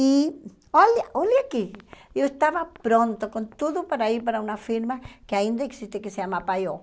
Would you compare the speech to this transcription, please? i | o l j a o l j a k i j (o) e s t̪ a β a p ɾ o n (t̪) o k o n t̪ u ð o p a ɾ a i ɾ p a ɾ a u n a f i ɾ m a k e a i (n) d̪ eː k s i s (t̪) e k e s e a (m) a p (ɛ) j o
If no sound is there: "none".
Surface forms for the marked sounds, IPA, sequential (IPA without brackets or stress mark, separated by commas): o, t̪, n, t̪, m, a